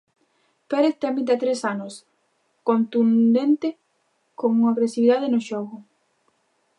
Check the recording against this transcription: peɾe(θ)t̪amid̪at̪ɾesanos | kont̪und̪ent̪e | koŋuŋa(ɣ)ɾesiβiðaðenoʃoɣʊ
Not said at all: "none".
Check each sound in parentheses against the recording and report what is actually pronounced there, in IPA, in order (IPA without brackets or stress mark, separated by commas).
θ, ɣ